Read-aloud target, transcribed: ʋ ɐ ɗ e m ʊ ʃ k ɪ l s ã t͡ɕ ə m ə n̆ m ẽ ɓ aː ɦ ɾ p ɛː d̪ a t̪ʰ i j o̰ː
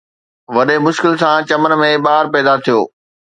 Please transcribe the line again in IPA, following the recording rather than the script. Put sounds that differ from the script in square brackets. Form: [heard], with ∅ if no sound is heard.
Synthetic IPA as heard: ʋ ɐ ɗ e m ʊ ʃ k ɪ l s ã t͡ɕ [ɐ] m ə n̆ m ẽ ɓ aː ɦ ɾ p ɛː d̪ a t̪ʰ i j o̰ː